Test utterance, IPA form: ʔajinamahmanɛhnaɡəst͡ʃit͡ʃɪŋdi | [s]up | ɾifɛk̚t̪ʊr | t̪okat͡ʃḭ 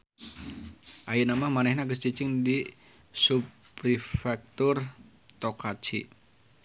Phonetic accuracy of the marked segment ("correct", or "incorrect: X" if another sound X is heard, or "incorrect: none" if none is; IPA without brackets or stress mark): correct